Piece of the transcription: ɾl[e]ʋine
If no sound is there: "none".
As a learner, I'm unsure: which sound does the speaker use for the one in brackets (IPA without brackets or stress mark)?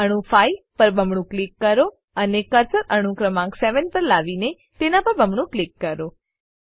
a